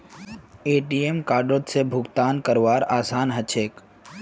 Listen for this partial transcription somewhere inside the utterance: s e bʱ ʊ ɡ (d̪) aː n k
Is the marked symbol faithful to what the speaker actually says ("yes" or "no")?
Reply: no